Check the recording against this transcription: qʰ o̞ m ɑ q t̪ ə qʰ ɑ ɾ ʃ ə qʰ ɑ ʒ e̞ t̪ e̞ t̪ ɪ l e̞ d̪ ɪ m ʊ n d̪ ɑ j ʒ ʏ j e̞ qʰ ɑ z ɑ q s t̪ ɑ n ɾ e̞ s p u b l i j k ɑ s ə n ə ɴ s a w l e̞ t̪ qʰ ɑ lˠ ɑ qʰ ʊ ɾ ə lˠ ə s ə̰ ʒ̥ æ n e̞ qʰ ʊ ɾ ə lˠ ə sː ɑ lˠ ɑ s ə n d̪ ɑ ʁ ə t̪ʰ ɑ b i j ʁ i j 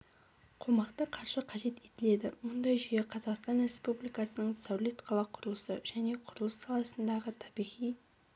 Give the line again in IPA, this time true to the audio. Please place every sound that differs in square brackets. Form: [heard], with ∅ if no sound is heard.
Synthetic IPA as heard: qʰ o̞ m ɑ q t̪ ə qʰ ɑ ɾ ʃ ə qʰ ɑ ʒ e̞ t̪ e̞ t̪ ɪ l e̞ d̪ ɪ m ʊ n d̪ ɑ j ʒ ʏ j e̞ qʰ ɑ z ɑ q s t̪ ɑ n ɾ e̞ s p u b l i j k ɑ s ə n ə ɴ s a w l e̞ t̪ qʰ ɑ lˠ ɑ qʰ ʊ ɾ ə lˠ ə s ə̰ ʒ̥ æ n e̞ qʰ ʊ ɾ ə lˠ ə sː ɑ lˠ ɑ s ə n d̪ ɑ ʁ ə t̪ʰ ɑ b i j ʁ i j